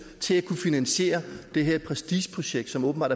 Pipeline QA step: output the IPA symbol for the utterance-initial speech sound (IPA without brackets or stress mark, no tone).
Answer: t͡sʰ